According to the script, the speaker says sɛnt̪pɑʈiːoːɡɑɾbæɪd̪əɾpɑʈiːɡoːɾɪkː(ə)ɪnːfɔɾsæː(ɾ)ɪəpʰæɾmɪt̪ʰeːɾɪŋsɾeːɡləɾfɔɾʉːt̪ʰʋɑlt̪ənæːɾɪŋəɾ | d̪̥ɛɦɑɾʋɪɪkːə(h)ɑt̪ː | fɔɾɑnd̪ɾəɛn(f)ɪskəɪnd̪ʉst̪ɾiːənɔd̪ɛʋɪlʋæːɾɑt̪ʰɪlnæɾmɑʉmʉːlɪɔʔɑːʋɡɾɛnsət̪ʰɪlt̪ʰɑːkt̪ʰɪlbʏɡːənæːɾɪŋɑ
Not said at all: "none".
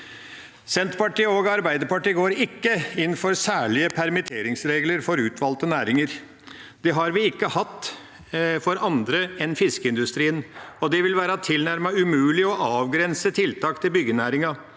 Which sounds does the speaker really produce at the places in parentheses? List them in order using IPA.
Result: ə, ɭ, h, f

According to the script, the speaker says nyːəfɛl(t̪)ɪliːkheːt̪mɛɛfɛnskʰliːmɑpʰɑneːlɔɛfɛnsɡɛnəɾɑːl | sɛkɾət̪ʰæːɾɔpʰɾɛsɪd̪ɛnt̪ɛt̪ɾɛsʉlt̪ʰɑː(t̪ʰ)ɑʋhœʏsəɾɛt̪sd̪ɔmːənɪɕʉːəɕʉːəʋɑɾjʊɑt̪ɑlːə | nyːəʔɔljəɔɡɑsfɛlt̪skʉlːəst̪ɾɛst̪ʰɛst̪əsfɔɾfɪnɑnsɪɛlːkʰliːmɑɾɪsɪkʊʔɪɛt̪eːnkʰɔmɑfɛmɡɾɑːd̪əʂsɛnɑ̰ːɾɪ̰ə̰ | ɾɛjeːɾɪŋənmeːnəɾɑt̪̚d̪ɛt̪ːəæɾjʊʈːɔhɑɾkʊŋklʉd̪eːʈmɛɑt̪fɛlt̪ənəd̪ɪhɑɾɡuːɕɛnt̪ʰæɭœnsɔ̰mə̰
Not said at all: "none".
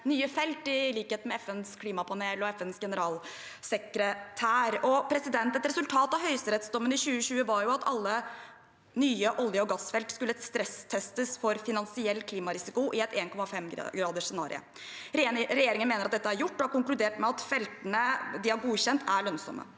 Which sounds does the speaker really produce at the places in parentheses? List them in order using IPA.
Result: t̪, t̪

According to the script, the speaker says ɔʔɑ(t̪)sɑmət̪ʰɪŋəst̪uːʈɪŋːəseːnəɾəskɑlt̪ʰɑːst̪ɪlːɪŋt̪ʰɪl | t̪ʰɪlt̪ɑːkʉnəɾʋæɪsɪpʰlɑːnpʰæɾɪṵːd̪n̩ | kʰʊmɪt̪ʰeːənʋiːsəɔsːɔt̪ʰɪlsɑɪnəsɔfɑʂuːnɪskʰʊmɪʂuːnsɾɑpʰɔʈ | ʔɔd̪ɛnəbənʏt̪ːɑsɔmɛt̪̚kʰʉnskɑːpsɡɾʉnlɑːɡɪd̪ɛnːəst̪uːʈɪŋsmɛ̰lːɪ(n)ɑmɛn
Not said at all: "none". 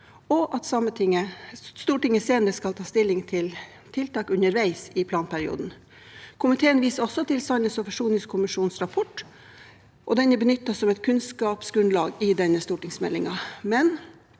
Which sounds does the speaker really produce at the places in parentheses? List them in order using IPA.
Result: t̪, ŋ

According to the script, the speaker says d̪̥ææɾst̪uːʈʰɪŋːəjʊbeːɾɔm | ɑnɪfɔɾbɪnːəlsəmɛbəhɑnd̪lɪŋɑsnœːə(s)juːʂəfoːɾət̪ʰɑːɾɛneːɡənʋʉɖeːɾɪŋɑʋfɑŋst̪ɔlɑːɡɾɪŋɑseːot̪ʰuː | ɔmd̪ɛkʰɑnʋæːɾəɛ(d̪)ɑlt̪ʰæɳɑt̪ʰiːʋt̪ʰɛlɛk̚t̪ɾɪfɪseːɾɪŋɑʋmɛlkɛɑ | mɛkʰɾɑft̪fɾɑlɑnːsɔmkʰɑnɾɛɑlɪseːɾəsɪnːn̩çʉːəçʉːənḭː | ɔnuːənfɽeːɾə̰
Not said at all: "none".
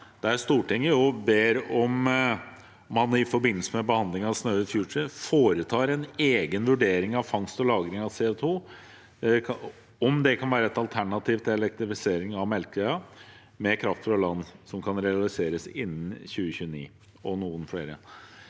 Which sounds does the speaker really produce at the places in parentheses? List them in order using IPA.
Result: f, t̪

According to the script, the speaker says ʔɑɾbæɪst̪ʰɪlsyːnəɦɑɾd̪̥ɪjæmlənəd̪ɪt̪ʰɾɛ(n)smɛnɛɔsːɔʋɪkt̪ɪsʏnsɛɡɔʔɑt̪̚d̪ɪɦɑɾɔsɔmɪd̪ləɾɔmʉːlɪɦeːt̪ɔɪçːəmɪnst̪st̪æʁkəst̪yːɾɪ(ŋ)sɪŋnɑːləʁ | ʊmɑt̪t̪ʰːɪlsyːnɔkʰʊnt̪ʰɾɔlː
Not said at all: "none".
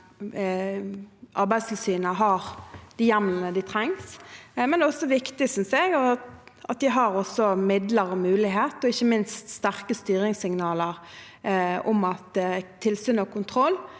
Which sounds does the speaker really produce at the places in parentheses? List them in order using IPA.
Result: ŋ, ŋ

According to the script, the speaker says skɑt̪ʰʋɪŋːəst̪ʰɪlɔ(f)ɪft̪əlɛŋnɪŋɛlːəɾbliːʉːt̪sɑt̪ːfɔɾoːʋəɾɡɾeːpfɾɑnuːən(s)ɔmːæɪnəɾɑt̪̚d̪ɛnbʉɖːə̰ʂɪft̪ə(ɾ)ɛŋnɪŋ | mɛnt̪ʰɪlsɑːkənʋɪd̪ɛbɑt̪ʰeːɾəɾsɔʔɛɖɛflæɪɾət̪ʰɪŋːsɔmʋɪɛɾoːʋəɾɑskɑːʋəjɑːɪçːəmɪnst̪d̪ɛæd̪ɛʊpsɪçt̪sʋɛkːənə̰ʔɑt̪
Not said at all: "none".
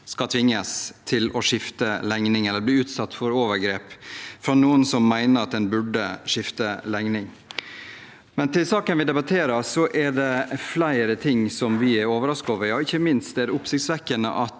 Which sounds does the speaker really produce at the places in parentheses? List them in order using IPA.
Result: ʂ, s, l

